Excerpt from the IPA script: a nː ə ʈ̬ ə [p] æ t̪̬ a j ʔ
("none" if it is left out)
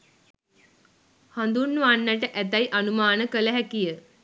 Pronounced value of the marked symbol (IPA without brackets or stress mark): ʔ